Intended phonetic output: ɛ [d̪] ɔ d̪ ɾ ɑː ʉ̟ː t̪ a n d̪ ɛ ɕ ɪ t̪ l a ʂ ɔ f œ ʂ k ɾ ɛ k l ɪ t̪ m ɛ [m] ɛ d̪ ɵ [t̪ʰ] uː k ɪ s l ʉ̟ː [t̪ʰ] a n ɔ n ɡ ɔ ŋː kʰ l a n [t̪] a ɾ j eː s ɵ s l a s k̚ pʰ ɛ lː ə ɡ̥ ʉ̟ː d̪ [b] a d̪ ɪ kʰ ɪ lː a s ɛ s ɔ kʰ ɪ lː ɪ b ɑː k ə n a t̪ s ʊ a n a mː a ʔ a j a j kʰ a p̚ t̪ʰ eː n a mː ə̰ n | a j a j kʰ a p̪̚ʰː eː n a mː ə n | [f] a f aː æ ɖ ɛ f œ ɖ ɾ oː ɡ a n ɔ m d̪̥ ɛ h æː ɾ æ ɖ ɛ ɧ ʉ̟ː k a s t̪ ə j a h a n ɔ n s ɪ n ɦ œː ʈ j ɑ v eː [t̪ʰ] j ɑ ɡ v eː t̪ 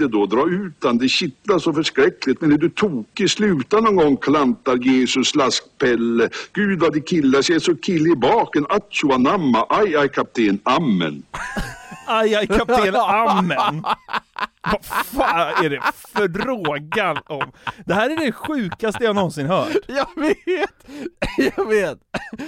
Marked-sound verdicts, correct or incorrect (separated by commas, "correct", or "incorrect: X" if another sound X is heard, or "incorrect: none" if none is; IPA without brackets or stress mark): correct, incorrect: n, correct, incorrect: t̪, correct, incorrect: v, incorrect: v, incorrect: t̪